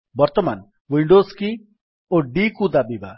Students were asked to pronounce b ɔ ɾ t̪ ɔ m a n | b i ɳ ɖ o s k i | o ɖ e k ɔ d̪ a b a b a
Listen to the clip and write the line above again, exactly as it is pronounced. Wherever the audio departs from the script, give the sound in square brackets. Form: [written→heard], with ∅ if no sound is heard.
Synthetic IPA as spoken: b ɔ ɾ t̪ ɔ m a n | [b→w] i ɳ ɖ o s k i | o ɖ [e→i] k [ɔ→u] d̪ a b [a→i] b a